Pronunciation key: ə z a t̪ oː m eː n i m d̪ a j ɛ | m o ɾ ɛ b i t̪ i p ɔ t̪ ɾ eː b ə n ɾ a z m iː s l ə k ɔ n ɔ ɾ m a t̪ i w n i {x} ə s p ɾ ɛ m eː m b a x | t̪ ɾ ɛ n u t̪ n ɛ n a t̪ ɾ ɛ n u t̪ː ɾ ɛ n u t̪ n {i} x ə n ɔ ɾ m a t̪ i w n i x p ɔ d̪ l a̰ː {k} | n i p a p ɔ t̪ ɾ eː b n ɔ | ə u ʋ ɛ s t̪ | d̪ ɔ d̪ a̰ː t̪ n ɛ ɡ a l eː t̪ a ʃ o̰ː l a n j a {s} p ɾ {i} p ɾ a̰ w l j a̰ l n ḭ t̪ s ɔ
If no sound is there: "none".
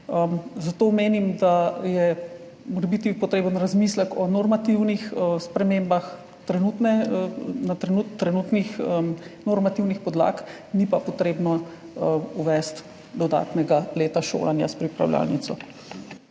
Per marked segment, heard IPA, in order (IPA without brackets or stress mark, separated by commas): x, i, k, s, i